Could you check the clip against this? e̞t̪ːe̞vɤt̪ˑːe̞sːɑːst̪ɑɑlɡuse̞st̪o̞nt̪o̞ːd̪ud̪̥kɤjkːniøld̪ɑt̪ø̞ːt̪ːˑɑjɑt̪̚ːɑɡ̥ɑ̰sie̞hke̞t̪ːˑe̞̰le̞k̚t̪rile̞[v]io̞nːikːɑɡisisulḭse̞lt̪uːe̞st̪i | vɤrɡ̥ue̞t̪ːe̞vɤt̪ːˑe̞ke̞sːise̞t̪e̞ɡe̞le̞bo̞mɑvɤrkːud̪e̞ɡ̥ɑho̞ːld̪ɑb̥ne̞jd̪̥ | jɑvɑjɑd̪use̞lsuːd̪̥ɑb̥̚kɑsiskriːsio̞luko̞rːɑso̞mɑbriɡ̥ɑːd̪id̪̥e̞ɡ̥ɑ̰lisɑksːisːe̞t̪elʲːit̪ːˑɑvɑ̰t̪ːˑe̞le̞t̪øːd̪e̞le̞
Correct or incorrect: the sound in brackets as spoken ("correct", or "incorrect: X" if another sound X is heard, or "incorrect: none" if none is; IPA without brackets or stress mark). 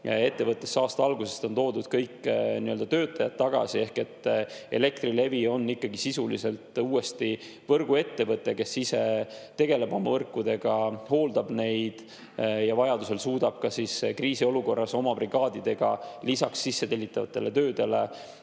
correct